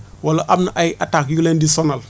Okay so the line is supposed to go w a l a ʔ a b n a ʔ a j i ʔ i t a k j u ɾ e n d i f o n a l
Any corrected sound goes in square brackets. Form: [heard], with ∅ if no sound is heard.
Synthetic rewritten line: w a l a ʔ a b n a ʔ a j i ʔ [a] t a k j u [l] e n d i [s] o n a l